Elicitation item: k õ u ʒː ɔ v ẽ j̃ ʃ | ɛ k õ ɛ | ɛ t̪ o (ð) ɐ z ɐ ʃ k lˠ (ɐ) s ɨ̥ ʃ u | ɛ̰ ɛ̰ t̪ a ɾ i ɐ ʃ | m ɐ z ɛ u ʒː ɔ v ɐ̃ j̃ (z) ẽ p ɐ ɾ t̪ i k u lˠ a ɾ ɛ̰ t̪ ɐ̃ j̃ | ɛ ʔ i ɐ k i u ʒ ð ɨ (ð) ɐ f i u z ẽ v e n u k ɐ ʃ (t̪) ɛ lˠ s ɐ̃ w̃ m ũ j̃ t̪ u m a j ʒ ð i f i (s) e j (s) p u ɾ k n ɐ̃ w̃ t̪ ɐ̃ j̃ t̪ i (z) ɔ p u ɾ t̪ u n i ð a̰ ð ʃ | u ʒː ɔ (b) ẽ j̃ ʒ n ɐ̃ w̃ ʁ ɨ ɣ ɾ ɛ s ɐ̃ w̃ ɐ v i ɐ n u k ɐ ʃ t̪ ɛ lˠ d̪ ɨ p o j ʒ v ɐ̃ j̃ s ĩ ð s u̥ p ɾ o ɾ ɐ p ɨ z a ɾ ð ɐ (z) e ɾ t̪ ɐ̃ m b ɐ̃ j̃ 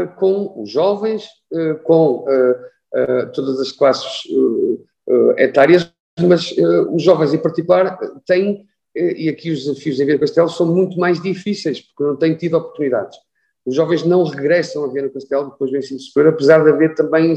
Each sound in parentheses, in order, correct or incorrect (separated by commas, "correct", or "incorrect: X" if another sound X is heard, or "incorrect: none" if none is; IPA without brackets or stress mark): correct, incorrect: a, correct, incorrect: z, correct, correct, incorrect: ʃ, incorrect: ð, incorrect: v, incorrect: v